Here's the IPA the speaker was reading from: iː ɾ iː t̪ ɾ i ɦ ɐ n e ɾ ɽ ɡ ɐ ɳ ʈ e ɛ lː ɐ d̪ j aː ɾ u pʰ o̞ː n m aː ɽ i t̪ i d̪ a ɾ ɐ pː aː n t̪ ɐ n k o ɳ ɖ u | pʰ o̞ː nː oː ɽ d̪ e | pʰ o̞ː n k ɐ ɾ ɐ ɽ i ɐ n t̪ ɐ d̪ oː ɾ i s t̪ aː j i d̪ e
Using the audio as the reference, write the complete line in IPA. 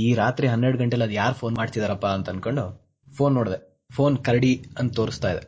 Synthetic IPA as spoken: iː ɾ aː t̪ ɾ i ɦ ɐ nː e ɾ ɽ ɡ ɐ ɳ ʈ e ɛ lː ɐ d̪ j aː ɾ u pʰ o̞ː n m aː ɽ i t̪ i d̪ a ɾ ɐ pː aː n t̪ ɐ n k o ɳ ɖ u | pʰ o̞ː nː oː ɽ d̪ e | pʰ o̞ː n k ɐ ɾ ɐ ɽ i ɐ n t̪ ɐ t̪ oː ɾ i s t̪ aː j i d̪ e